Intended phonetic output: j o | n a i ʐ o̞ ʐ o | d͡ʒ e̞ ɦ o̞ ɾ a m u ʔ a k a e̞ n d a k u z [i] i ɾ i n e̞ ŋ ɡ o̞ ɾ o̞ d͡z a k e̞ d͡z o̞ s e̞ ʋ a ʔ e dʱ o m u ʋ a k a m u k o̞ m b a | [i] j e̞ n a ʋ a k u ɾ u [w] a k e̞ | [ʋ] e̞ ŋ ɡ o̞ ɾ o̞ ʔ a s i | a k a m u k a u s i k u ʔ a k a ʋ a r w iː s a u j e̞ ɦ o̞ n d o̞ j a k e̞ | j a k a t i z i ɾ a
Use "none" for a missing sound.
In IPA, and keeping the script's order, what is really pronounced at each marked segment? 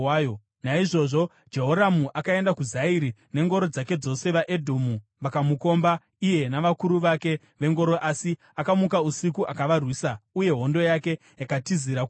a, i, ʋ, ʋ

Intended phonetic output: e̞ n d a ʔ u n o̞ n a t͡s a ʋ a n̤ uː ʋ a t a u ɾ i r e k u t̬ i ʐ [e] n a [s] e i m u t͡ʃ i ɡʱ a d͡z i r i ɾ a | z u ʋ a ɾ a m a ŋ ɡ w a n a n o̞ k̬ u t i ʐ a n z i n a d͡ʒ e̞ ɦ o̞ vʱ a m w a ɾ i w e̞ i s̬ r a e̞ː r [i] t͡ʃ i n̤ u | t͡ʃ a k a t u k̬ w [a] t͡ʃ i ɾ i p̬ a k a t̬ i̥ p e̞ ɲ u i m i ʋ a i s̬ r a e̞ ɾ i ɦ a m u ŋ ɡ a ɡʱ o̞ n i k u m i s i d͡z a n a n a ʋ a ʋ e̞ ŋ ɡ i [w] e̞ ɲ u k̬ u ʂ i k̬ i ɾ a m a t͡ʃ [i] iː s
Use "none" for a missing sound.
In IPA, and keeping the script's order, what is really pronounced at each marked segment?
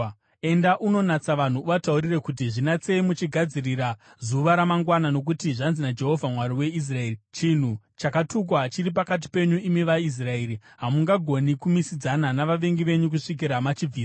i, t͡s, i, a, ʋ, i

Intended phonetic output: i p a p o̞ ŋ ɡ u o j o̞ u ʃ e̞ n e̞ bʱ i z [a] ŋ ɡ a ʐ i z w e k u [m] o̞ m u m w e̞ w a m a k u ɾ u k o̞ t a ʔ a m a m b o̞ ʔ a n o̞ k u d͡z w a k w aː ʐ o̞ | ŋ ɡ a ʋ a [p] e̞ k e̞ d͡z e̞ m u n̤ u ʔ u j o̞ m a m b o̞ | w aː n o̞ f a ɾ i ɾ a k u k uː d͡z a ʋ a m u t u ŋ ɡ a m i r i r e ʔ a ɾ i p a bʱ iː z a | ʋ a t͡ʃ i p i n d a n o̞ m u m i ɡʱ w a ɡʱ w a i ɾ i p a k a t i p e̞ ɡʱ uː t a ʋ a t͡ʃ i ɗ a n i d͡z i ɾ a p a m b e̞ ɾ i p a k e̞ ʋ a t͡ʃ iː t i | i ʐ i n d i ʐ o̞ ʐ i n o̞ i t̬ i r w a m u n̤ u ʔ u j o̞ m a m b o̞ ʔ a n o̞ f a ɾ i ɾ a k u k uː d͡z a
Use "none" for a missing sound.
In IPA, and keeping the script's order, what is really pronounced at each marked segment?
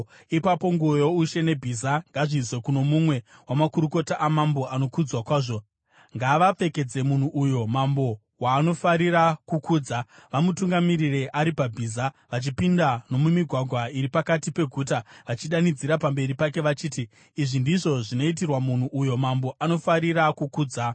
a, n, p͡f

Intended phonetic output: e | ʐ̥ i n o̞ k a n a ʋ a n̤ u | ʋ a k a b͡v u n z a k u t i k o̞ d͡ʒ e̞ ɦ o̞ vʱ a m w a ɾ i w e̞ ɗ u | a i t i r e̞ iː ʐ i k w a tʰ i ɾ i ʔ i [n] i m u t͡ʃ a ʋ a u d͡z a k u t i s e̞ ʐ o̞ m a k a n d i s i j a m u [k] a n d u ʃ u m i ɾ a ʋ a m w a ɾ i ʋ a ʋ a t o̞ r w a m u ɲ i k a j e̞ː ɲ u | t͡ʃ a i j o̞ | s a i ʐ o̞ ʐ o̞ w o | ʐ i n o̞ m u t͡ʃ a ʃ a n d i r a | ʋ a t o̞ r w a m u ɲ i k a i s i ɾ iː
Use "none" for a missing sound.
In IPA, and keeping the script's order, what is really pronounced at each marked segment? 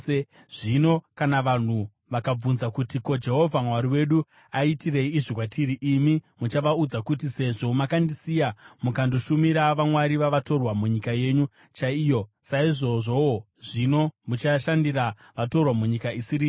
m, k

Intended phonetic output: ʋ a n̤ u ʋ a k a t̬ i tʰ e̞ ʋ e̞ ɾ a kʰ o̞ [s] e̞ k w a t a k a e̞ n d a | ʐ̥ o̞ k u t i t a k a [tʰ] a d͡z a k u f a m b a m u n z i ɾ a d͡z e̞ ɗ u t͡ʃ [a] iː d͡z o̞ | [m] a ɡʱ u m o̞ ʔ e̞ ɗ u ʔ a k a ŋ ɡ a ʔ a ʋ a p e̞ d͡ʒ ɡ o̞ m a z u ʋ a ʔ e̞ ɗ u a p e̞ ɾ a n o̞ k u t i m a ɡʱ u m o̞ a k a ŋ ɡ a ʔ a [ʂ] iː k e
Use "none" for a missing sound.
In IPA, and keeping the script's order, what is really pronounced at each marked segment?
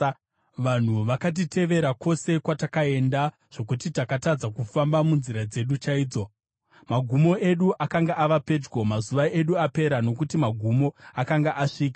s, t, a, m, ʂ

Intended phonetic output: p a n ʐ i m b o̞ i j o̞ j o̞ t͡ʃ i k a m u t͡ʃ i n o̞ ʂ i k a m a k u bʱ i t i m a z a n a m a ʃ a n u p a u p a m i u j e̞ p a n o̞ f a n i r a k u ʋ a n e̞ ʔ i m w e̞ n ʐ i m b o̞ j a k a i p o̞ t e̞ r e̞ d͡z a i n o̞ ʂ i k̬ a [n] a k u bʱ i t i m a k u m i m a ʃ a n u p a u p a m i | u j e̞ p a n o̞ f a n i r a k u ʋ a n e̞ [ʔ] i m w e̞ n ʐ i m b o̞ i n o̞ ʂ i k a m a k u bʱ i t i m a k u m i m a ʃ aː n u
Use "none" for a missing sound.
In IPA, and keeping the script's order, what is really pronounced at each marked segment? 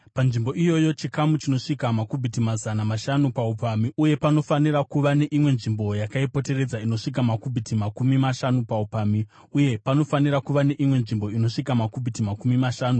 m, ʔ

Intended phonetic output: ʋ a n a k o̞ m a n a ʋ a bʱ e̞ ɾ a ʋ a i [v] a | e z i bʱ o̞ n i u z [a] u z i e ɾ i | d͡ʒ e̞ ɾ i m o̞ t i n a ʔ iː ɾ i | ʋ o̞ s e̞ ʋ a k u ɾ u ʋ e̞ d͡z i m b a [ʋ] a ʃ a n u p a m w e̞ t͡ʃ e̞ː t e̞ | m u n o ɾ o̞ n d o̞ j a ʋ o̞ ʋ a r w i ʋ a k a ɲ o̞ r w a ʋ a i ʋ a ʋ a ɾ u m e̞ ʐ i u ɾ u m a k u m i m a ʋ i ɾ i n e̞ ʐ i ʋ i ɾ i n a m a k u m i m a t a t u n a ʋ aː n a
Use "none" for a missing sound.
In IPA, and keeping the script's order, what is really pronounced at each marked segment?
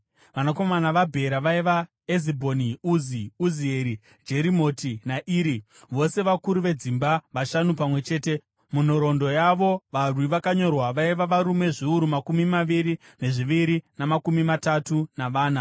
ʋ, i, ʋ

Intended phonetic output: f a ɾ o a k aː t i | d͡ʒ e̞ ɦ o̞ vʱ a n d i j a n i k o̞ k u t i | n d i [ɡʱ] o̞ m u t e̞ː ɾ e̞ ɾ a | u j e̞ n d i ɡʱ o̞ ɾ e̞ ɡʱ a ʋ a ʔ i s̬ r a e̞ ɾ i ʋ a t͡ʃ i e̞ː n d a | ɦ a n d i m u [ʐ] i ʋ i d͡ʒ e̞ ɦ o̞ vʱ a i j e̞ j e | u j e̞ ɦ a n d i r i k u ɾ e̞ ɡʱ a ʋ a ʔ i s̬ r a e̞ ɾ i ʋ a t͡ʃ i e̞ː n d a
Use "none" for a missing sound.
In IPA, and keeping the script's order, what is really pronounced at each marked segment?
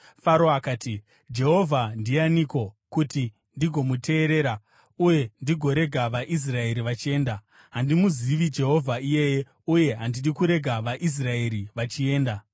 ɡʱ, z

